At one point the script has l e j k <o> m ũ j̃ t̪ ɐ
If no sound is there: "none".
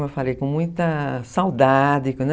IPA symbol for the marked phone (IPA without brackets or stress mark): õ